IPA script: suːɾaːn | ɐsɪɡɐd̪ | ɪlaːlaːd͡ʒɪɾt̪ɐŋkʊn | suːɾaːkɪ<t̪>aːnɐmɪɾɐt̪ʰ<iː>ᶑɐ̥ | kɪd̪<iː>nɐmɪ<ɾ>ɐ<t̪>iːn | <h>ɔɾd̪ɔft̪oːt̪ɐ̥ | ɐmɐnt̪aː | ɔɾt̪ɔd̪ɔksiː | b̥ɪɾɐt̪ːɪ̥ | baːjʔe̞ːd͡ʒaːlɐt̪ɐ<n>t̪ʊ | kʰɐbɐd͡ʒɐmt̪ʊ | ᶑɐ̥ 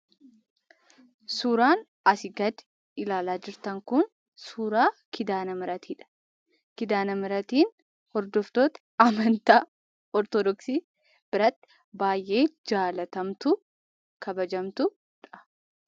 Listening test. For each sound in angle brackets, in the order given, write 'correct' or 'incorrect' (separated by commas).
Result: incorrect, correct, incorrect, correct, correct, correct, incorrect